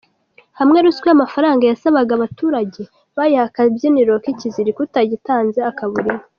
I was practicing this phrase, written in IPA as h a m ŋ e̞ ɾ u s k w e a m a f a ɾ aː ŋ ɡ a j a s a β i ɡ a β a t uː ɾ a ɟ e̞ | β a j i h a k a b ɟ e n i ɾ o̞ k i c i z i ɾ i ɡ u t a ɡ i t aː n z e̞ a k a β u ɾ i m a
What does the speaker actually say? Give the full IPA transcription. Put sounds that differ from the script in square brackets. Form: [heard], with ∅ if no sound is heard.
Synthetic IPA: h a m ŋ e̞ ɾ u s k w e a m a f a ɾ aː ŋ ɡ a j a s a β [a] ɡ a β a t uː ɾ a ɟ e̞ | β a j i h a k a b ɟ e n i ɾ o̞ k i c i z i ɾ i [k] u t a [ɟ] i t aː n z e̞ a k a β u ɾ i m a